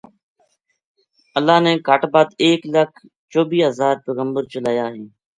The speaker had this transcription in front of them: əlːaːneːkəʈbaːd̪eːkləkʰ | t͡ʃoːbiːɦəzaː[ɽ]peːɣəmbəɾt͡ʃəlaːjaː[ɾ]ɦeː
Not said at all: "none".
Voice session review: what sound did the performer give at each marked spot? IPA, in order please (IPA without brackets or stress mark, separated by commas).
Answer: ɾ, none